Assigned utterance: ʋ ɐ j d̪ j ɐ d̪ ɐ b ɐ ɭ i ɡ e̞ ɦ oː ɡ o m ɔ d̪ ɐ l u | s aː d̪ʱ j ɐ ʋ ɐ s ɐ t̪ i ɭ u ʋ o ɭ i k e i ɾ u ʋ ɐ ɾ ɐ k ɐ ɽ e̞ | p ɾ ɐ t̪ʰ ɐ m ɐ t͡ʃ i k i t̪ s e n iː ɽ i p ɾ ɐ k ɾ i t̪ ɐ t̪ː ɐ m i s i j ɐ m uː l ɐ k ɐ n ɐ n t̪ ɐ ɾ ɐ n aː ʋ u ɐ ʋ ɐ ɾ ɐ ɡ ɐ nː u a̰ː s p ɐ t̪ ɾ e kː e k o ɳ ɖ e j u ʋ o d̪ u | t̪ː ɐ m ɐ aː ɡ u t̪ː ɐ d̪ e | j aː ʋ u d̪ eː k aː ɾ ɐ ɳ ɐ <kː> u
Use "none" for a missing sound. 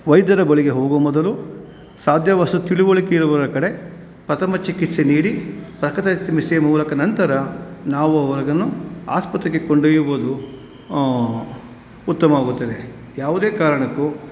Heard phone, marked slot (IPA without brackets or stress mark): kː